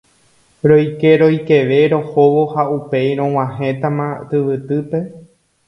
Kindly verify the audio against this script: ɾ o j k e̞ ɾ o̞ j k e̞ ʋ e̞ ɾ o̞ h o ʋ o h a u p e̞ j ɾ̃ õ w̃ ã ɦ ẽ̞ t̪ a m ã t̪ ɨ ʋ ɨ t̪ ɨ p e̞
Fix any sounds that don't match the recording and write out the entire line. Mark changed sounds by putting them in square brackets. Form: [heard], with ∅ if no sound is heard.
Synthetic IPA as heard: ɾ o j k e̞ ɾ o̞ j k e̞ ʋ e̞ ɾ o̞ h o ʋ o h a u p e̞ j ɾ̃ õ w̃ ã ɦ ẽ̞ t̪ a m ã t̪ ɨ ʋ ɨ t̪ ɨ p e̞